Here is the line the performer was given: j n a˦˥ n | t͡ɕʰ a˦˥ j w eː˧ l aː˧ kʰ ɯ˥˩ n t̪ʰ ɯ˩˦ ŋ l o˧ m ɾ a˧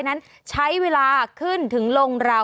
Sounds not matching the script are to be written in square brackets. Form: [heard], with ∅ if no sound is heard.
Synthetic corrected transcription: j n a˦˥ n | t͡ɕʰ a˦˥ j w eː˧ l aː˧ kʰ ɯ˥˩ n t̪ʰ ɯ˩˦ ŋ l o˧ [ŋ] ɾ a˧